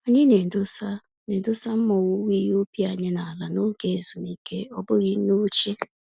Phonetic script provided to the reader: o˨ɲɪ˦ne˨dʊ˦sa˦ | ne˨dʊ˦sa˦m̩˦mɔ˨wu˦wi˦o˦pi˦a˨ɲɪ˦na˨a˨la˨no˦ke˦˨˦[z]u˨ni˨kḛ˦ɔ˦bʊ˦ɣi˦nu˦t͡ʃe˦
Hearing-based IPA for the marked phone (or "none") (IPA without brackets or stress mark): z